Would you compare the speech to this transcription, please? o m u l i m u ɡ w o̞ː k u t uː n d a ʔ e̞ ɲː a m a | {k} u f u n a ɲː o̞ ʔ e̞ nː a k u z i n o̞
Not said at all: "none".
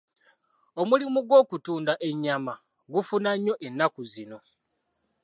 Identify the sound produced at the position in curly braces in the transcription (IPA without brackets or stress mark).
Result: ɡ